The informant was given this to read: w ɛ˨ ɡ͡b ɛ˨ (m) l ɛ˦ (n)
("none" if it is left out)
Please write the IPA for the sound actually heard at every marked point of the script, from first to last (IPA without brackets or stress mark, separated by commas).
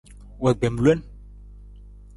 m, n